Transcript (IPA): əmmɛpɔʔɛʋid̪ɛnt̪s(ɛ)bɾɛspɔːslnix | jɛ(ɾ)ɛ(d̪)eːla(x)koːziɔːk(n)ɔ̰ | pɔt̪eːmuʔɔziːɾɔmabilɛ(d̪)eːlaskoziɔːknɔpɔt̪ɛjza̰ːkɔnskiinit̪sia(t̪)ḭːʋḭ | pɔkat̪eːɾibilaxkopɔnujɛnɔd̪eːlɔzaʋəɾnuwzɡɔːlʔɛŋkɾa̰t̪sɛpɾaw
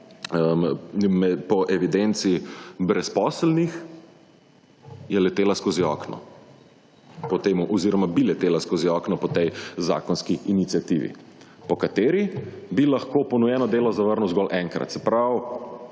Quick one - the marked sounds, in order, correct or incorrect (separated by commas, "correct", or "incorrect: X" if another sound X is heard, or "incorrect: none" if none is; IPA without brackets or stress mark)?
incorrect: i, incorrect: l, incorrect: t̪, incorrect: s, correct, incorrect: t̪, correct